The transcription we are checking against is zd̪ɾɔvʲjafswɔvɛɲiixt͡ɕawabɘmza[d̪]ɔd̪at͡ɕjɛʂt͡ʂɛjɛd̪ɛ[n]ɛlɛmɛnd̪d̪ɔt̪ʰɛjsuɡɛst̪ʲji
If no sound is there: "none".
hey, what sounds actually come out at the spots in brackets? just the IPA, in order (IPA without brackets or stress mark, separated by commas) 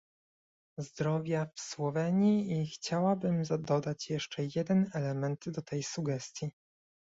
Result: d̪, n